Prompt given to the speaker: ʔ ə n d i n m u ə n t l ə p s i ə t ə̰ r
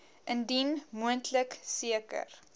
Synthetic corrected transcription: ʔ ə n d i n m u ə n t l ə k s i ə k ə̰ r

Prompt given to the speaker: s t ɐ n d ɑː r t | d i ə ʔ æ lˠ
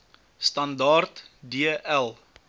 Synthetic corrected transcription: s t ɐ n d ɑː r t | d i ə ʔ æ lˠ

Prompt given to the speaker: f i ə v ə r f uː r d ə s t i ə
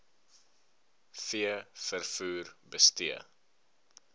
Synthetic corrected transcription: f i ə f ə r f uː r b ə s t i ə

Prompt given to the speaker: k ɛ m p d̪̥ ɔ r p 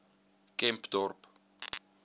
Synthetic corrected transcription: k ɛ m p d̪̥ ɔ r p

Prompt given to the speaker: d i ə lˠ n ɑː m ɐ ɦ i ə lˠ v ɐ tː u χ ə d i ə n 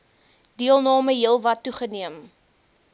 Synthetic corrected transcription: d i ə lˠ n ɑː m ə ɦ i ə lˠ v ɐ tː u χ ə n i ə m

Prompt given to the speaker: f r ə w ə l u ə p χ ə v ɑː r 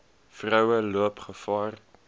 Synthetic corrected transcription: f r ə w ə l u ə p χ ə f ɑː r

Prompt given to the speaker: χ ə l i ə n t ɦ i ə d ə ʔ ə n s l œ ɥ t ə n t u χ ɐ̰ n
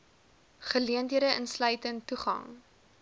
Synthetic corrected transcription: χ ə l i ə n t ɦ i ə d ə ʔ ə n s l œ ɥ t ə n t u χ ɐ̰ ŋ

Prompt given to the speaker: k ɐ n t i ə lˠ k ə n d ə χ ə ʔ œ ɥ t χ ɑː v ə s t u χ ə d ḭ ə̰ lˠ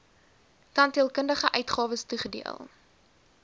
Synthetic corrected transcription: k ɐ n t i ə lˠ k ə n d ə χ ə ʔ œ ɥ t χ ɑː v ə s t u χ ə d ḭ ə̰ lˠ

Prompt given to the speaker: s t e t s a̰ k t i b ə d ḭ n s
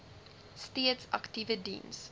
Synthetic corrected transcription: s t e t s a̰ k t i v ə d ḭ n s

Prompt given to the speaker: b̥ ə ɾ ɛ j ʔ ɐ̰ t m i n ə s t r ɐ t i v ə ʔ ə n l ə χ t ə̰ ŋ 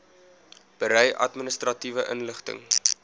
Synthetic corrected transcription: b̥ ə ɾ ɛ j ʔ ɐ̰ t m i n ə s t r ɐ t i v ə ʔ ə n l ə χ t ə̰ ŋ

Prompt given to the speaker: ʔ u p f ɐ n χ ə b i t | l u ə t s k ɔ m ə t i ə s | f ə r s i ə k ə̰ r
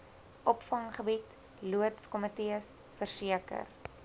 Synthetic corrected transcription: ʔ ɔ p f ɐ ŋ χ ə b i t | l u ə t s k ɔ m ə t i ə s | f ə r s i ə k ə̰ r

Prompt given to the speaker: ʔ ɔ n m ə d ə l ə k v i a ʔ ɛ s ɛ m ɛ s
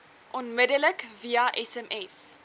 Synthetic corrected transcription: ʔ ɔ n m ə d ə l ə k v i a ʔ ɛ s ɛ m ɛ s

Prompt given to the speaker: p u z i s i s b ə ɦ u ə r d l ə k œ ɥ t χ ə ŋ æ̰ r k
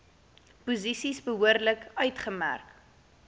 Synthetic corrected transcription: p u z i s i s b ə ɦ u ə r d l ə k œ ɥ t χ ə m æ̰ r k

